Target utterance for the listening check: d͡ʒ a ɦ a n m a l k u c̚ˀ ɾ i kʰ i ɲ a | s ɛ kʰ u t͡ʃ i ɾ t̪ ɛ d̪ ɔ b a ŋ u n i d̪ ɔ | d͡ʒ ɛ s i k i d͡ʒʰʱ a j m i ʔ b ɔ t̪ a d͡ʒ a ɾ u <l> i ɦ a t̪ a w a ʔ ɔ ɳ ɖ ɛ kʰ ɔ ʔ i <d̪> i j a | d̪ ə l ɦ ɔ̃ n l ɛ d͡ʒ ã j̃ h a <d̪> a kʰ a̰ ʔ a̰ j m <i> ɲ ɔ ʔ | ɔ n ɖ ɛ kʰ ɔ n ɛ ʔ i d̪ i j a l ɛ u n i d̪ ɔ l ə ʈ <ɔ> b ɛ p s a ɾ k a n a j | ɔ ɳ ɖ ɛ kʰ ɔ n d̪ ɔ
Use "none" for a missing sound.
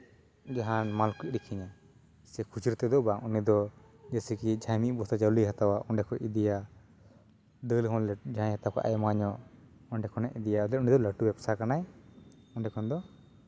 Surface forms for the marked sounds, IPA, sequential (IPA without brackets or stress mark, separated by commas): l, d̪, t̪, a, u